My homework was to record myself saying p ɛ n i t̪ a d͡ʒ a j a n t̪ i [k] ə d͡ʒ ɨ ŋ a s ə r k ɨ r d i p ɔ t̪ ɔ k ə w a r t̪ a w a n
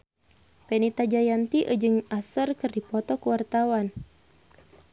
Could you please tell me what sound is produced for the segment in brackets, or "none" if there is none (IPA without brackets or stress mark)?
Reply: ʔ